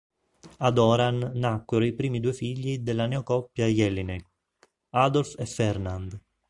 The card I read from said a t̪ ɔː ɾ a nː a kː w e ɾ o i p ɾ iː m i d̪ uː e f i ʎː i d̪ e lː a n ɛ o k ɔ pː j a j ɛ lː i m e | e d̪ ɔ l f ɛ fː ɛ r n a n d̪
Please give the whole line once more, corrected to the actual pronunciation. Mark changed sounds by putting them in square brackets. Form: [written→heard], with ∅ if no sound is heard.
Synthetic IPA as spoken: a [t̪→d̪] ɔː ɾ a nː a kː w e ɾ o i p ɾ iː m i d̪ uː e f i ʎː i d̪ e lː a n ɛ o k ɔ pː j a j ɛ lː i [m→n] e | [e→a] d̪ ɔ l f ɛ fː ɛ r n a n d̪